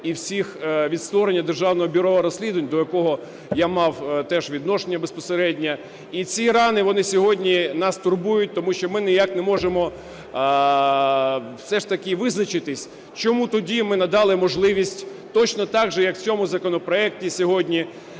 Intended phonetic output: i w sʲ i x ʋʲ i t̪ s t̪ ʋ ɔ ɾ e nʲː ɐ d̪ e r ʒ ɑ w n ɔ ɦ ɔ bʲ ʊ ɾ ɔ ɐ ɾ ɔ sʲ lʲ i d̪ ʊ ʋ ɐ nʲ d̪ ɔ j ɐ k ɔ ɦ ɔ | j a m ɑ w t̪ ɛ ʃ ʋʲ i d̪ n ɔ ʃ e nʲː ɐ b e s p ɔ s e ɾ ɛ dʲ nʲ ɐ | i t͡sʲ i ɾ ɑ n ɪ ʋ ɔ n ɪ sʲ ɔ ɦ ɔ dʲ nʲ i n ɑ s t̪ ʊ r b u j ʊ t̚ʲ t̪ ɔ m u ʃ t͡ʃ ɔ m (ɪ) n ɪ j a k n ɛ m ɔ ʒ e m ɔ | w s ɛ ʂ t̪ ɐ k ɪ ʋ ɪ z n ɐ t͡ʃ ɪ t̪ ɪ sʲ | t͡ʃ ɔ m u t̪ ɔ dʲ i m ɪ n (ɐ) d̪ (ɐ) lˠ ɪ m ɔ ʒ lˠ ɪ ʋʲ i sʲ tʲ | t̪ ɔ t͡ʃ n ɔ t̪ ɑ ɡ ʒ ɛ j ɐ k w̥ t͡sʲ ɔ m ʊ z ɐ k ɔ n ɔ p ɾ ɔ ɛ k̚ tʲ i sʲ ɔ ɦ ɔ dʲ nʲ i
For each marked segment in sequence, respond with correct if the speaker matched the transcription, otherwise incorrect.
correct, correct, incorrect: ɑ

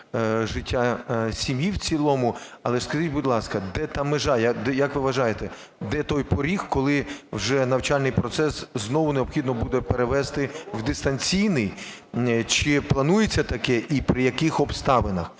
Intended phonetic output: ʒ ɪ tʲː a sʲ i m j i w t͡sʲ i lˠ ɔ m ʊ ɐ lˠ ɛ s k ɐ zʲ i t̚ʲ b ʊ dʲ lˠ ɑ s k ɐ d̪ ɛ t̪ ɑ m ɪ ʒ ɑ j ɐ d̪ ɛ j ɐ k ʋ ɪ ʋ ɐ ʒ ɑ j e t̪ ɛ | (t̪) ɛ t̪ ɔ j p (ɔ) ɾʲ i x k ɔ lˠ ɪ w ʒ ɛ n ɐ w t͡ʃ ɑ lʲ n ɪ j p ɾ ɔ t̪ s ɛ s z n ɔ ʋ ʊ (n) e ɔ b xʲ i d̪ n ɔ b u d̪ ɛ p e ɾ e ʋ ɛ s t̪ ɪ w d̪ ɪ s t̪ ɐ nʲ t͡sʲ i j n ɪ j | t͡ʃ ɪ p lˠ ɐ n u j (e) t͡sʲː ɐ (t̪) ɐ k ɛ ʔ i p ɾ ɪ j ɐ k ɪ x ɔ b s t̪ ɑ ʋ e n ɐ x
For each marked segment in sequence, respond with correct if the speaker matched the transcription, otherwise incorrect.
incorrect: d̪, correct, correct, correct, correct

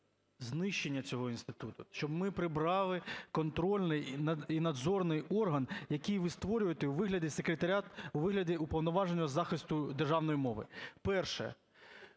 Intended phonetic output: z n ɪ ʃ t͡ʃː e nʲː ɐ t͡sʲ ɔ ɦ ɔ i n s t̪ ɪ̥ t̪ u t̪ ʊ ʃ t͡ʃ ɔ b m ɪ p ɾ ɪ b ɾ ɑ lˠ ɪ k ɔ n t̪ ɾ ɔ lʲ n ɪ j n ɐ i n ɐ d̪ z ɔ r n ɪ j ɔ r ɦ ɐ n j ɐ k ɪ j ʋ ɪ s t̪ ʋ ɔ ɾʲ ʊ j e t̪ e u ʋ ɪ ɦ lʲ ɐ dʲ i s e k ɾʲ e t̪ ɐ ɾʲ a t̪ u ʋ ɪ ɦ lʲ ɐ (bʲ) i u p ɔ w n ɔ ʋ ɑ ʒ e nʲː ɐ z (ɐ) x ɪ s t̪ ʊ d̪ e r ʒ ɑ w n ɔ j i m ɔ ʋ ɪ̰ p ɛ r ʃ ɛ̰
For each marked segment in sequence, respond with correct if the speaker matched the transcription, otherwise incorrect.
incorrect: dʲ, incorrect: ɑ

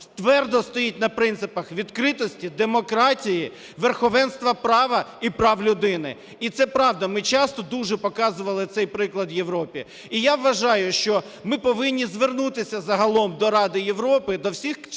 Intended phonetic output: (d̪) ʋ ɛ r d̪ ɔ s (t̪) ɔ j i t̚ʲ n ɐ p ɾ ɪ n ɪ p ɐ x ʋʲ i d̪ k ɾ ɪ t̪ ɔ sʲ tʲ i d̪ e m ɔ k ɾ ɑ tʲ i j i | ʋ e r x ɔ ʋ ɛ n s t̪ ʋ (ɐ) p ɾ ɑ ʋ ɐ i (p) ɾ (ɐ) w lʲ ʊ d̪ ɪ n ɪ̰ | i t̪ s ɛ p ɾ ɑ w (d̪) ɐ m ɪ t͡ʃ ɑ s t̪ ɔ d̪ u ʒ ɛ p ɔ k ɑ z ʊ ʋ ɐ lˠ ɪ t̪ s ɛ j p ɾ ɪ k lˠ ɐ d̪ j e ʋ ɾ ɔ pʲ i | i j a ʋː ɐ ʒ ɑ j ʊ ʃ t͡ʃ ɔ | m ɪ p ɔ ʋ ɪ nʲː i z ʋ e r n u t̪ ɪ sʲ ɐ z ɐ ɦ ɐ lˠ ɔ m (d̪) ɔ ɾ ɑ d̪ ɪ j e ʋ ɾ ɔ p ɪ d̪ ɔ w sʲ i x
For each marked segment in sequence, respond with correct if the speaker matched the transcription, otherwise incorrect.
incorrect: t̪, correct, correct, correct, incorrect: ɑ, correct, correct

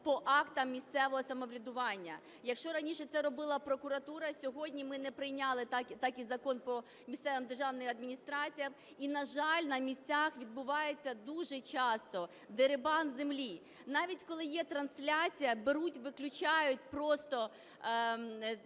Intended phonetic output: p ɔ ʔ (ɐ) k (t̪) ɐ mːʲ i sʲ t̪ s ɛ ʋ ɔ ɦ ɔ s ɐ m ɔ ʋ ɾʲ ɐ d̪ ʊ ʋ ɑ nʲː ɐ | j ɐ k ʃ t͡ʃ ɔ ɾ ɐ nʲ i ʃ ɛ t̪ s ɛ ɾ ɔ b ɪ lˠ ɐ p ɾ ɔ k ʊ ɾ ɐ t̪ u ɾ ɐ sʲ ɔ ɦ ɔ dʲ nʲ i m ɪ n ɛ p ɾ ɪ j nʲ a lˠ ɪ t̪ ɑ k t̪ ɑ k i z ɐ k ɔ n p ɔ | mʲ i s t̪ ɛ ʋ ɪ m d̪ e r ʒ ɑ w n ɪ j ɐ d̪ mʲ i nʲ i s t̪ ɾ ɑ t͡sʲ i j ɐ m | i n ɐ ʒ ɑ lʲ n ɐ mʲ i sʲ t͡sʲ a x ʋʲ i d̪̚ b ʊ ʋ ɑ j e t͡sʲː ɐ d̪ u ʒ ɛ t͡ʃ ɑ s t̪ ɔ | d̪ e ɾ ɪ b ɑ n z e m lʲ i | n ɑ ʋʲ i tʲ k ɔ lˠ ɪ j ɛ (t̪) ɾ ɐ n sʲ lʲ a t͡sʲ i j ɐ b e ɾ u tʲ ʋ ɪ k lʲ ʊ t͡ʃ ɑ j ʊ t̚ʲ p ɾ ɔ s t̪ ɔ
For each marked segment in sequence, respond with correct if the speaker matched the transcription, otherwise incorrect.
incorrect: ɑ, correct, correct

